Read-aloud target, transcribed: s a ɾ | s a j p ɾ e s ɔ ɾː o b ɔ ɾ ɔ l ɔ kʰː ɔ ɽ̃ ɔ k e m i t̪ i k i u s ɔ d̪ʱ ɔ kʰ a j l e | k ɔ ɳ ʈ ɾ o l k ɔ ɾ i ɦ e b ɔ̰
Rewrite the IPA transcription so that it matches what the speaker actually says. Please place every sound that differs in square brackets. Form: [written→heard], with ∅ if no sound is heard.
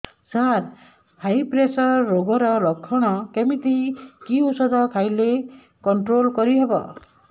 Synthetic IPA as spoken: s a ɾ | [s→h] a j p ɾ e s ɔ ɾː o [b→ɡ] ɔ ɾ ɔ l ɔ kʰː ɔ ɽ̃ ɔ k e m i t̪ i k i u s ɔ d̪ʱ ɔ kʰ a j l e | k ɔ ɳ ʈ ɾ o l k ɔ ɾ i ɦ e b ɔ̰